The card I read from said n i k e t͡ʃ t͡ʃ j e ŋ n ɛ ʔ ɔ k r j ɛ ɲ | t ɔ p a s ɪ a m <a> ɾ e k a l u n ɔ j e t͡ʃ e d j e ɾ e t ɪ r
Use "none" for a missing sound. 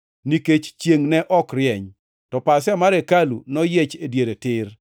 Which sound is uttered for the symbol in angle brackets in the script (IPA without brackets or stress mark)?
a